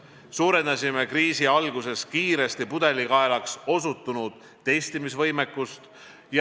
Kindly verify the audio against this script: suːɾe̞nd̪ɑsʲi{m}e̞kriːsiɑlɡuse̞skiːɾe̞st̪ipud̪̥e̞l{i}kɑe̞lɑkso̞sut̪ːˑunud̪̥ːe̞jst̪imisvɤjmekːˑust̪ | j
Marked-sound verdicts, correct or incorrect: correct, correct

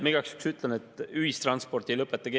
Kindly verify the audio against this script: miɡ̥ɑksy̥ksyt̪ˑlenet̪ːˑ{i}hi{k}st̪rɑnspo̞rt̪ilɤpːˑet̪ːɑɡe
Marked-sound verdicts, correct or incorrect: incorrect: y, incorrect: none

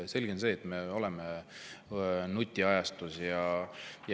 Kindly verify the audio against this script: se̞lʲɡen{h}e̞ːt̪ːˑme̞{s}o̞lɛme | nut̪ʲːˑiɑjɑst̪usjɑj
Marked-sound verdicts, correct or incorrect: incorrect: s, incorrect: none

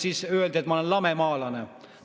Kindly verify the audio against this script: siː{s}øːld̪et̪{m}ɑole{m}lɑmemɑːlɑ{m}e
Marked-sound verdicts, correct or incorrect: correct, correct, incorrect: n, incorrect: n

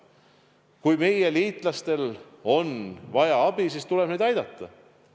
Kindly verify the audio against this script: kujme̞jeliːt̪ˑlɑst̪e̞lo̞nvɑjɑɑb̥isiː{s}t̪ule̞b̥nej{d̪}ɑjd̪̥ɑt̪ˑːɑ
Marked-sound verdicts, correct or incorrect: correct, correct

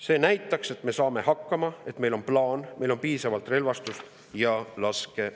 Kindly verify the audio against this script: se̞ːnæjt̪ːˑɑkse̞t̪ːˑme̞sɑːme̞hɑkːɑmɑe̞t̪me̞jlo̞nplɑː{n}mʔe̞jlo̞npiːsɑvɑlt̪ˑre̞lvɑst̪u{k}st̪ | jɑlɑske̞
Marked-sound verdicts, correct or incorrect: correct, incorrect: none

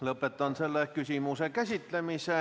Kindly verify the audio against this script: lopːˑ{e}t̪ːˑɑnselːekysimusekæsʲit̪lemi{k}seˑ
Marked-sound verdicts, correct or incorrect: correct, incorrect: none

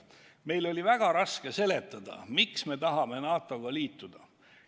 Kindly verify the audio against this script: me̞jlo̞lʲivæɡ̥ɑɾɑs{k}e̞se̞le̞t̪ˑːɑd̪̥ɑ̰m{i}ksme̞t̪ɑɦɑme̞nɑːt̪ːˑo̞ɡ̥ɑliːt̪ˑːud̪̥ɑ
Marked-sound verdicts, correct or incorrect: correct, correct

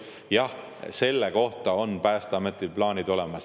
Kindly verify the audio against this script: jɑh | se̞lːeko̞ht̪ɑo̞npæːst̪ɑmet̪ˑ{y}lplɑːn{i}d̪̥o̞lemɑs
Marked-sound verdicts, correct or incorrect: incorrect: i, correct

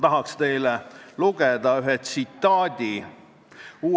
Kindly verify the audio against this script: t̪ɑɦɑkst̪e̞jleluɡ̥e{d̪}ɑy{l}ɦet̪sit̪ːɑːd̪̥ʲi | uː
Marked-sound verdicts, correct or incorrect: correct, incorrect: none

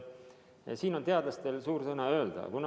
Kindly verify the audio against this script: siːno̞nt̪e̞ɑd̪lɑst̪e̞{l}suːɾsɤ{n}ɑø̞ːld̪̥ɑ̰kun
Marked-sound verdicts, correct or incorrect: correct, correct

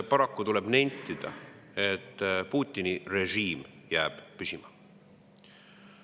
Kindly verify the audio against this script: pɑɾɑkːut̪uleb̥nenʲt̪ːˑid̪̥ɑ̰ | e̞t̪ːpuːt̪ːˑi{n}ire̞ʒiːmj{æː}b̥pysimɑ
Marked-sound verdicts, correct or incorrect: correct, correct

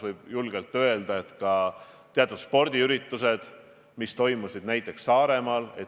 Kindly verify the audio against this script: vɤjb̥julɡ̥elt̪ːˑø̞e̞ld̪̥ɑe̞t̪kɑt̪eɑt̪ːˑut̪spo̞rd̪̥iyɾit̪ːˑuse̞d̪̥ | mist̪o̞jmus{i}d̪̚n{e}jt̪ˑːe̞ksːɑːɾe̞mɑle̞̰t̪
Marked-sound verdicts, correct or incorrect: correct, incorrect: æ

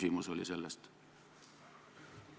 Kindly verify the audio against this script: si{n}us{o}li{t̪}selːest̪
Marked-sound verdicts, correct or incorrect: incorrect: m, correct, incorrect: none

